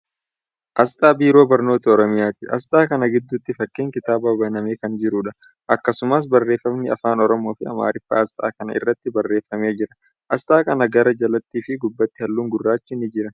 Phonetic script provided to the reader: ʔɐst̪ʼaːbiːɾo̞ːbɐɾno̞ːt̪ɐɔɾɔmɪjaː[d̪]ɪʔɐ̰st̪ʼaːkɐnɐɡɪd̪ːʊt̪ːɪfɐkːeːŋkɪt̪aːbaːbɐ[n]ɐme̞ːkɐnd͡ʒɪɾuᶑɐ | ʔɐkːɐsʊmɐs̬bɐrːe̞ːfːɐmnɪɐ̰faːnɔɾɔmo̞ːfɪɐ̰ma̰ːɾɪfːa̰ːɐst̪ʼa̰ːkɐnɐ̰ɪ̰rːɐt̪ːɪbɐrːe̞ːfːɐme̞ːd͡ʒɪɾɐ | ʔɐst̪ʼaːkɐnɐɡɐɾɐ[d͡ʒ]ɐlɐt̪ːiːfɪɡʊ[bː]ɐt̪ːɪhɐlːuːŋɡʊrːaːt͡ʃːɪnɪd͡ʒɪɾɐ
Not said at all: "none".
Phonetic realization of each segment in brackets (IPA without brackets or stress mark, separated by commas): t̪, n, d͡ʒ, bː